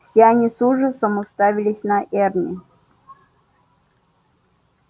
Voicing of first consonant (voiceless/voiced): voiceless